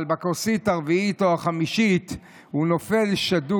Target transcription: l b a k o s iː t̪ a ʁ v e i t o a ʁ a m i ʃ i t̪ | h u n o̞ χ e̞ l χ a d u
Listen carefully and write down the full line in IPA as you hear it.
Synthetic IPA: l b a k o s i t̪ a ʁ v i i t o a χ a m i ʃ i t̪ | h u n o̞ f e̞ l ʃ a d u